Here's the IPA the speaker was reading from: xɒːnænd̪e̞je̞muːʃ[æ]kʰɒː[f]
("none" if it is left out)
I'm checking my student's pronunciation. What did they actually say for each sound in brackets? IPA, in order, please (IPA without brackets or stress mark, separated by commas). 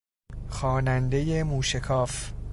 e, f